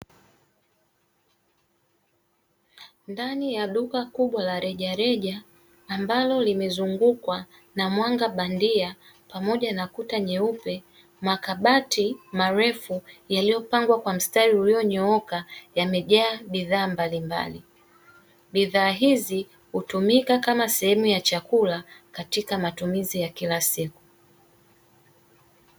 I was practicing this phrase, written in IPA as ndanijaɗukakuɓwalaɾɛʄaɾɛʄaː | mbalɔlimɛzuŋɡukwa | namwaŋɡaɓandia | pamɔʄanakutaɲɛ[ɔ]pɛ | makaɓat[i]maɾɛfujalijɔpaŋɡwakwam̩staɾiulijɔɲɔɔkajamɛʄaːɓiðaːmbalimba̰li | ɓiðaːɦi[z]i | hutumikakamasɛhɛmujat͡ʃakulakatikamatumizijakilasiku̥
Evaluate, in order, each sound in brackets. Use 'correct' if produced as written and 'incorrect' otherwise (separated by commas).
incorrect, correct, correct